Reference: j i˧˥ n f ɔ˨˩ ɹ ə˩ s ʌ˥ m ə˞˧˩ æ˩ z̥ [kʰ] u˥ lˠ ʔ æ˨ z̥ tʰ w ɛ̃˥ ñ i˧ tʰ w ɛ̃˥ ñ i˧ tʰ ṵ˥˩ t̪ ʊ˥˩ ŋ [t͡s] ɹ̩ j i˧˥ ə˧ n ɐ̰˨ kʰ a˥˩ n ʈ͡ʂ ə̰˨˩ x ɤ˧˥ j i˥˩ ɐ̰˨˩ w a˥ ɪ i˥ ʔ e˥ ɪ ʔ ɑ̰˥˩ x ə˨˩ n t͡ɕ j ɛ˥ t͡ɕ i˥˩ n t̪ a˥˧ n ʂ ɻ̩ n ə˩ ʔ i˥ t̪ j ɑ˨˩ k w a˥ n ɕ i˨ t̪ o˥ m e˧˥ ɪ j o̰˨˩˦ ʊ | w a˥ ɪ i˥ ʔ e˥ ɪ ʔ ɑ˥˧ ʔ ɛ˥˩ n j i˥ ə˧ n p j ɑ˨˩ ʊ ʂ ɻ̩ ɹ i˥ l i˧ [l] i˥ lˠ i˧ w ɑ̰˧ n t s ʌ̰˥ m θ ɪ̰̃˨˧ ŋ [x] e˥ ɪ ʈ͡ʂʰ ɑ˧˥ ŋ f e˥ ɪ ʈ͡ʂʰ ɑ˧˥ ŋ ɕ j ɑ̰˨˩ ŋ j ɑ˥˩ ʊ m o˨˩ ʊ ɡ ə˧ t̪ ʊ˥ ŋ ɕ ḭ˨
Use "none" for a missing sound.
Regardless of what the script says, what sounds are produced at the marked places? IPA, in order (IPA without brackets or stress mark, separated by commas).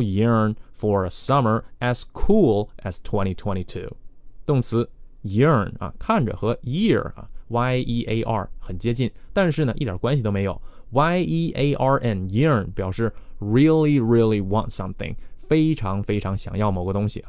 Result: kʰ, t͡sʰ, ɹ, f